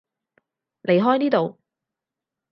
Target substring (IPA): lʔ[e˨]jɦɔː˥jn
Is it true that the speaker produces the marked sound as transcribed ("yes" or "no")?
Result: yes